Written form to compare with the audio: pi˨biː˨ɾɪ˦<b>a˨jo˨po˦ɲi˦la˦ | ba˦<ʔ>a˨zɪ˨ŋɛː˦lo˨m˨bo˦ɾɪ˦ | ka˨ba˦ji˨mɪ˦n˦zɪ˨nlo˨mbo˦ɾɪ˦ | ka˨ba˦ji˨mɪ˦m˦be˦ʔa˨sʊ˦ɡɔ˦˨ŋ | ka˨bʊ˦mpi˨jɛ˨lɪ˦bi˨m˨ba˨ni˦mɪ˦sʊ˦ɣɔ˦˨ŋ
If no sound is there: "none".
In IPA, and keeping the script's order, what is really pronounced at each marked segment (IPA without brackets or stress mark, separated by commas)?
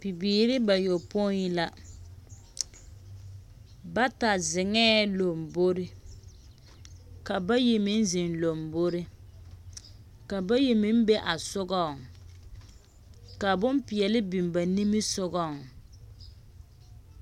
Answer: b, t